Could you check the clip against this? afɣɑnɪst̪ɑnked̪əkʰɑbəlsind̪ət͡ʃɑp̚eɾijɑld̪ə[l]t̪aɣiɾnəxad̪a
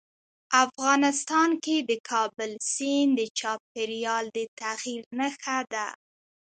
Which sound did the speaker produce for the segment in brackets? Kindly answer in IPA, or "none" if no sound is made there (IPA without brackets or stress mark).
none